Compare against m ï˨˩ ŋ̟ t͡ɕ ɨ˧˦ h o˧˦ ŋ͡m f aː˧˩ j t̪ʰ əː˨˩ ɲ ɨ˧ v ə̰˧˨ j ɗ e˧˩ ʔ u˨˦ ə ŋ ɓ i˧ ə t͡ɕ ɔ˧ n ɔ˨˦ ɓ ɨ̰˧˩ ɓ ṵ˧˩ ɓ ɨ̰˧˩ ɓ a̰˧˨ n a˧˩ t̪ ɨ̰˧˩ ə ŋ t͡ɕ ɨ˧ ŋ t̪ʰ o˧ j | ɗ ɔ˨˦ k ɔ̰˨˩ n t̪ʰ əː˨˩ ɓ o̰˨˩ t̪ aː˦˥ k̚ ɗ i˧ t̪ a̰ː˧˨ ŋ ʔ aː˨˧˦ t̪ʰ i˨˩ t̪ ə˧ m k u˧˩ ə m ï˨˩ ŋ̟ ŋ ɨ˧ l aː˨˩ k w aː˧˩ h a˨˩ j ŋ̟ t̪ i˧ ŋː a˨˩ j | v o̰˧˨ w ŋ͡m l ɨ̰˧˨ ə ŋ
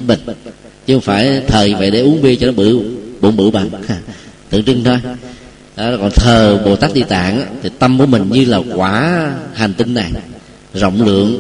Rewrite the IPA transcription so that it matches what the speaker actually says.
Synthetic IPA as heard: m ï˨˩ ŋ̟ t͡ɕ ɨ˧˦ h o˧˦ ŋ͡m f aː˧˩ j t̪ʰ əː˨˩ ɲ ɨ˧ v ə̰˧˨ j ɗ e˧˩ ʔ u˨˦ ə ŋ ɓ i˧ ə t͡ɕ ɔ˧ n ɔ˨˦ ɓ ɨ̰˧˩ ɓ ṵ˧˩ ɓ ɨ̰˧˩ ɓ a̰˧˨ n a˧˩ t̪ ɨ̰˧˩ ə ŋ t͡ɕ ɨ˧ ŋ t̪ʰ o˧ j | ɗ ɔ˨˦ k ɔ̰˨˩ n t̪ʰ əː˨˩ ɓ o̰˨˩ t̪ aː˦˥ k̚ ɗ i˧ t̪ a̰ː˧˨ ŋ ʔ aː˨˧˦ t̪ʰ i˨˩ t̪ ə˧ m k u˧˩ ə m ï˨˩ ŋ̟ ɲ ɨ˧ l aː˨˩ k w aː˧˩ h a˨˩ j ŋ̟ t̪ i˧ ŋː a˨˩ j | z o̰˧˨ w ŋ͡m l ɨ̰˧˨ ə ŋ